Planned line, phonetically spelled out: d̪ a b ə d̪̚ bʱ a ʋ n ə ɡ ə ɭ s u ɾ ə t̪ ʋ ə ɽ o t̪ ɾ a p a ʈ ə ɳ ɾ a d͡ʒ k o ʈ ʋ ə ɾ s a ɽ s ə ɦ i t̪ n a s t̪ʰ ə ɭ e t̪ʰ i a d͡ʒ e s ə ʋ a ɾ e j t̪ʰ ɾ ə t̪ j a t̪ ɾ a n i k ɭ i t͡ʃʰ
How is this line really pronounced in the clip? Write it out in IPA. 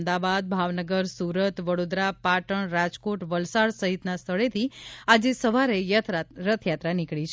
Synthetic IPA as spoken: d̪ a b a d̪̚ bʱ a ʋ n ə ɡ ə ɾ s u ɾ ə t̪ ʋ ə ɽ o d̪ ɾ a p a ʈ ə ɳ ɾ a d͡ʒ k o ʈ ʋ ə l s a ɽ s ə ɦ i t̪ n a s t̪ʰ ə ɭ e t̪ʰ i a d͡ʒ e s ə ʋ a ɾ e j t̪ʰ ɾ ə t̪ʰ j a t̪ ɾ a n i k ɭ i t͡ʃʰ